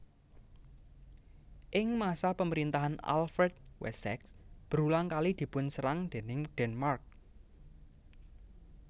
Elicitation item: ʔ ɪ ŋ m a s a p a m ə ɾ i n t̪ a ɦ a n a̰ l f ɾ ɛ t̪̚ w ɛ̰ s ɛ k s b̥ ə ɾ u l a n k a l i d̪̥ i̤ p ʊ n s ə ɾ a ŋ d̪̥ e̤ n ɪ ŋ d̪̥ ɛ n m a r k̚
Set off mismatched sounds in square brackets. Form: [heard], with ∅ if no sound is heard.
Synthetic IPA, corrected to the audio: ʔ ɪ ŋ m a s a p [ə] m ə ɾ i n t̪ a ɦ a n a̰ l f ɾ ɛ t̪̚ w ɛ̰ s ɛ k s b̥ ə ɾ u l a [ŋ] k a l i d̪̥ i̤ p ʊ n s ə ɾ a ŋ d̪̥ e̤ n ɪ ŋ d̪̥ ɛ n m a r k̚